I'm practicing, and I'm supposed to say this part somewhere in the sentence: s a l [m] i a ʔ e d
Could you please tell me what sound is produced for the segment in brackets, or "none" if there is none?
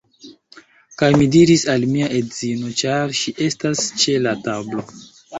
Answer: m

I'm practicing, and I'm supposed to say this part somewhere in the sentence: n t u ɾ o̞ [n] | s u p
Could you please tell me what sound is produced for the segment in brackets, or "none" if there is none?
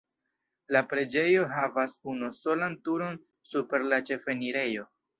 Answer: n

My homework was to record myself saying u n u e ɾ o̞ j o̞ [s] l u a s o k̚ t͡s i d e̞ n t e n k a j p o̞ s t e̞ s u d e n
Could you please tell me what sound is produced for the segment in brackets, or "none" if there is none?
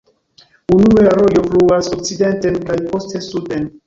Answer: f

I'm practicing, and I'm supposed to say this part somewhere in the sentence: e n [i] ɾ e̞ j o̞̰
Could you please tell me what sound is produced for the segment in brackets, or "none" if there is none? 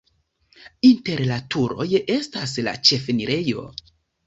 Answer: i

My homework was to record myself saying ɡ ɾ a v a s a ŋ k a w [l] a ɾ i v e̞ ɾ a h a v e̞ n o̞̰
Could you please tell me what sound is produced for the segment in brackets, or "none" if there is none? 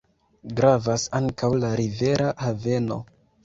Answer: l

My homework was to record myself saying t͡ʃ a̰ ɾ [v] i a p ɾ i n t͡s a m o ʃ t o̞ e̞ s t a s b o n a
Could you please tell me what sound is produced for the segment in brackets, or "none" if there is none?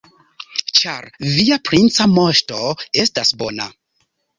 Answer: v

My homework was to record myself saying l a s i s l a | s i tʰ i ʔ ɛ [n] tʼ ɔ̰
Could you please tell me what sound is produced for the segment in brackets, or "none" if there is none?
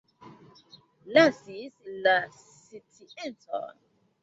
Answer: n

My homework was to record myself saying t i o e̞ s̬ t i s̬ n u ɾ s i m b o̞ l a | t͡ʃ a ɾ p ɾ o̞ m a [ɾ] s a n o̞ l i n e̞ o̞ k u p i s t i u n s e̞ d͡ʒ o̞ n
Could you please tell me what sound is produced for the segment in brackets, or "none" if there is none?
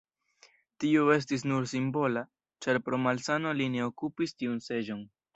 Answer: l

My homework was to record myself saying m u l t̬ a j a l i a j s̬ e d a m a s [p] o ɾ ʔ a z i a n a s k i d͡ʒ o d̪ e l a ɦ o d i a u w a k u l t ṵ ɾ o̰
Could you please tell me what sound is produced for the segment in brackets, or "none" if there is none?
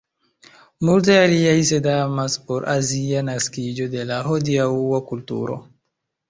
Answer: p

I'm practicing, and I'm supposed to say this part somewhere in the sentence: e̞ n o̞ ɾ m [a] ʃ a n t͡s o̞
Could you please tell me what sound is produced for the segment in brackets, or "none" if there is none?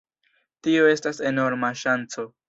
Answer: a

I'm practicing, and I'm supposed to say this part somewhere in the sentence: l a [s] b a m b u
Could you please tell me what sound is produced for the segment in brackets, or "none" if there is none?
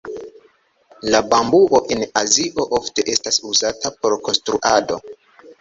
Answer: none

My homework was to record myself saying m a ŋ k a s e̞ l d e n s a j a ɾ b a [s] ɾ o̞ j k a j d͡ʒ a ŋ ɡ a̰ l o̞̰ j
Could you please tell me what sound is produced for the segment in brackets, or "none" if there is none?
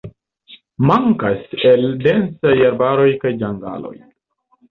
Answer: none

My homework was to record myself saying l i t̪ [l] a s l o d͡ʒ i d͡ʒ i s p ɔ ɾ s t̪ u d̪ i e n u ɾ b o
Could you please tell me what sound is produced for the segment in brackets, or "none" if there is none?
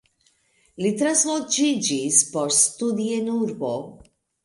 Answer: ɾ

